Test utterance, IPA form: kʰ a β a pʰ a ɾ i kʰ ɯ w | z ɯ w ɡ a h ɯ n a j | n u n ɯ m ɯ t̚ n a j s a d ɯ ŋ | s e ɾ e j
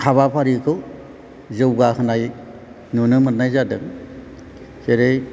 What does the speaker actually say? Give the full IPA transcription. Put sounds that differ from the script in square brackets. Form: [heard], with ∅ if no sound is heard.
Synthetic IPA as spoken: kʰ a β a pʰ a ɾ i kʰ ɯ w | z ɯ w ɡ a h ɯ n a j | n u n ɯ m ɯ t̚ n a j [z] a d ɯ ŋ | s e ɾ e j